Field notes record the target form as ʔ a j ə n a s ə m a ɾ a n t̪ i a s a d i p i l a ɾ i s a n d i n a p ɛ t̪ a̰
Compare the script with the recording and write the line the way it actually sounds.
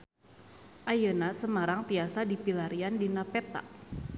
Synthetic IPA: ʔ a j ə n a s ə m a ɾ a ŋ t̪ i a s a d i p i l a ɾ i a n d i n a p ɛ t̪ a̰